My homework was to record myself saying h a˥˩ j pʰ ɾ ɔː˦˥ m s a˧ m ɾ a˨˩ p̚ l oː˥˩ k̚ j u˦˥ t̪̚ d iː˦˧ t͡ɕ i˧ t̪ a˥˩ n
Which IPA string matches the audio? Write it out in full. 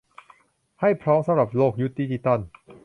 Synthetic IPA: h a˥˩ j pʰ ɾ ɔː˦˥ m s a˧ m ɾ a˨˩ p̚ l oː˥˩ k̚ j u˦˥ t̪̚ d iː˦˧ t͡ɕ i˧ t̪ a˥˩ n